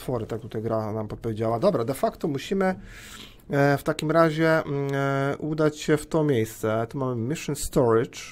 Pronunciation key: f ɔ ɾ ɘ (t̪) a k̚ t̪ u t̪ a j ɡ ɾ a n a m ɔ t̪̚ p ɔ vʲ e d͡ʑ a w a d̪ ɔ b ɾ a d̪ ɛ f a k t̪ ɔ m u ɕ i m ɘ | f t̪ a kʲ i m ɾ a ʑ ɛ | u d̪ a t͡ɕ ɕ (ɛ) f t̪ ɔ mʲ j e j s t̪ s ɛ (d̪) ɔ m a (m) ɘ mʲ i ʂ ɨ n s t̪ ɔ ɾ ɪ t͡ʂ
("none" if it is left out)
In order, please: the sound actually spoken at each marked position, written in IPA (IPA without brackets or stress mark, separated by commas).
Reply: t̪, ɛ, t̪, m